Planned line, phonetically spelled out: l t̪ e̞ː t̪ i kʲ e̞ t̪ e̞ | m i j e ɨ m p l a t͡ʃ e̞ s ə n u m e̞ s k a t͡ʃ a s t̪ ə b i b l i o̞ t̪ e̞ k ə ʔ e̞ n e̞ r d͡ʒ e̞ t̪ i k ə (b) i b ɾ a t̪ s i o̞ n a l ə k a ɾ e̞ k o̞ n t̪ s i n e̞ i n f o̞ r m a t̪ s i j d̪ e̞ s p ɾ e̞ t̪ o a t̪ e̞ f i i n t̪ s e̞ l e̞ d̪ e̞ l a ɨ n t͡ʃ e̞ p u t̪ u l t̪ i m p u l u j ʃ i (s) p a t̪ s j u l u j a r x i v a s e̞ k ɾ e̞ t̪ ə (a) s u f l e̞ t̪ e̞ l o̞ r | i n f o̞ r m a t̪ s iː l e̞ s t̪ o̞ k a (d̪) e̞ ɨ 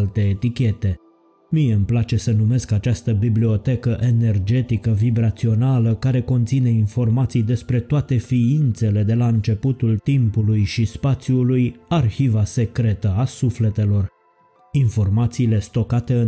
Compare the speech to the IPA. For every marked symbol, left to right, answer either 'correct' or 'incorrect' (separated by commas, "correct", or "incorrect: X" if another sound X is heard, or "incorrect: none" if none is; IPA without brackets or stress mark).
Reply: incorrect: v, correct, correct, incorrect: t̪